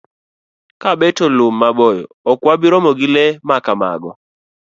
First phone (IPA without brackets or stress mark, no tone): k